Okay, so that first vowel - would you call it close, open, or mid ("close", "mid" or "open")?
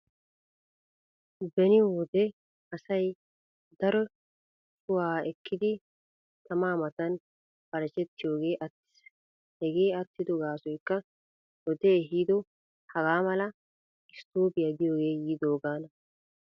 mid